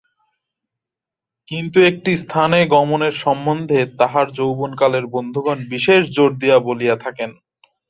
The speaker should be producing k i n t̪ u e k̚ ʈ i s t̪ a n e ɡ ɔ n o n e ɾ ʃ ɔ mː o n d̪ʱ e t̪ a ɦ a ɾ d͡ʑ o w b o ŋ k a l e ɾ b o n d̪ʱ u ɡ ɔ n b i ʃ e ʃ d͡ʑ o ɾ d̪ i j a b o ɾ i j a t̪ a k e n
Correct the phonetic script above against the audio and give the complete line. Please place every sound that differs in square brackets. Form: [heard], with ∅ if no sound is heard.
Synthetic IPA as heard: k i n t̪ u e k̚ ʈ i s [t̪ʰ] a n e ɡ ɔ [m] o n e ɾ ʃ ɔ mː o n d̪ʱ e t̪ a ɦ a ɾ d͡ʑ o w b o [n] k a l e ɾ b o n d̪ʱ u ɡ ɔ n b i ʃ e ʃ d͡ʑ o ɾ d̪ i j a b o [l] i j a [t̪ʰ] a k e n